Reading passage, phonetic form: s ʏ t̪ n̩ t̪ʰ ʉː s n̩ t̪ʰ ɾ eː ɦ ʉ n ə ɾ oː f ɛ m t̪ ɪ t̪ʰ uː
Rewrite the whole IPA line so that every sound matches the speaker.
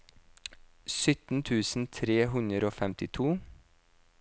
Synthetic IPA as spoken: s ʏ t̪ n̩ t̪ʰ ʉː s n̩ t̪ʰ ɾ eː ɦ ʉ n ə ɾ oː f ɛ m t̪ ɪ t̪ʰ uː